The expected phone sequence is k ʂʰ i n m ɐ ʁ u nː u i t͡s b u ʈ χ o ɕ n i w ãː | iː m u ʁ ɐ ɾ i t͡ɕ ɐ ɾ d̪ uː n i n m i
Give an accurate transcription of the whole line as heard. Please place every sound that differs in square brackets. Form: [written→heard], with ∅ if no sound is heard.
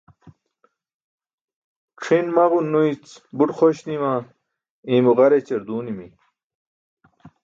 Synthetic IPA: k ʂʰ i n m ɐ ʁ u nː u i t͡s b u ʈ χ o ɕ n i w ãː | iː m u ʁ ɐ ɾ [i→e] t͡ɕ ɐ ɾ d̪ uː n i [n→∅] m i